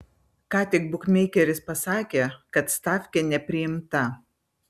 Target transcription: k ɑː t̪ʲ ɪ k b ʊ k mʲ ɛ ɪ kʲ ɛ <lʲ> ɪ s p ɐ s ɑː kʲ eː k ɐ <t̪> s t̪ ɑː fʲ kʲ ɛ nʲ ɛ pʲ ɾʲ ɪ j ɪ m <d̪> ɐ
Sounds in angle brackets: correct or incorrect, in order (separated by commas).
incorrect, correct, incorrect